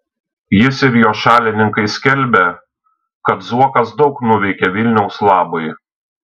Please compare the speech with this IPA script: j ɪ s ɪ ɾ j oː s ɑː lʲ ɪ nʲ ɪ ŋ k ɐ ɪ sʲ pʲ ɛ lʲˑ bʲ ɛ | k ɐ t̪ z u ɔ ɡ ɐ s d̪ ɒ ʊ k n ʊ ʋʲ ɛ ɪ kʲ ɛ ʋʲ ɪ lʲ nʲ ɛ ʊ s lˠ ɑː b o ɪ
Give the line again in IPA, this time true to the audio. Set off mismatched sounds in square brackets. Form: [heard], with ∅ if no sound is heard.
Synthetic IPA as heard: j ɪ s ɪ ɾ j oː [ʃ] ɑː lʲ ɪ nʲ ɪ ŋ k ɐ ɪ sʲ [kʲ] ɛ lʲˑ bʲ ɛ | k ɐ t̪ z u ɔ [k] ɐ s d̪ ɒ ʊ k n ʊ ʋʲ ɛ ɪ kʲ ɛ ʋʲ ɪ lʲ nʲ ɛ ʊ s lˠ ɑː b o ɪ